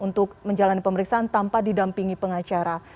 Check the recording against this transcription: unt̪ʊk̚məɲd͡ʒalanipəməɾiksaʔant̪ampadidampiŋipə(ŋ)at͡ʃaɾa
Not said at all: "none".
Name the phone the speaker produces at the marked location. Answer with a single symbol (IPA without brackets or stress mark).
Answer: ŋ